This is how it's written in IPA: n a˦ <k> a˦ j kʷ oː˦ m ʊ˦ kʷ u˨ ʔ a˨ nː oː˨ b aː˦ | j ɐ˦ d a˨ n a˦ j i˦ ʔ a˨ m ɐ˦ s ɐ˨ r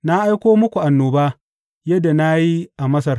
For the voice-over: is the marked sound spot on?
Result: no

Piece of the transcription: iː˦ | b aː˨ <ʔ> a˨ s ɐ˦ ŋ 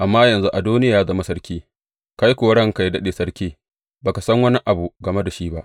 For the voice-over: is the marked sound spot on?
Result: no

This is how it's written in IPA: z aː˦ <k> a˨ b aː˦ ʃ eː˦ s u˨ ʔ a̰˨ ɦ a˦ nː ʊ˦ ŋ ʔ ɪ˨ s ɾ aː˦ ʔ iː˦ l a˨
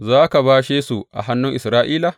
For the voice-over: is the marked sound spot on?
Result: yes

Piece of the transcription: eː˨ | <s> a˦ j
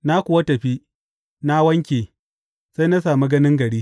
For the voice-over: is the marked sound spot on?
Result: yes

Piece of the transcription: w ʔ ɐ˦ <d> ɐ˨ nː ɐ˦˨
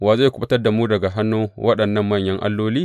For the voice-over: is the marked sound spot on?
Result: no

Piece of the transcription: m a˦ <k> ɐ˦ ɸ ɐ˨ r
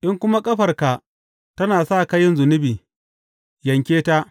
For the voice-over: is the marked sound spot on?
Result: no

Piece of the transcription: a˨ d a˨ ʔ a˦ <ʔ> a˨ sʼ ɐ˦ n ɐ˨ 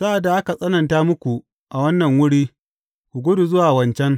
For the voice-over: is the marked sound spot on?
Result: no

